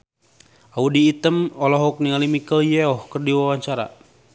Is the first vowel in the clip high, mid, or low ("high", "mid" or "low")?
low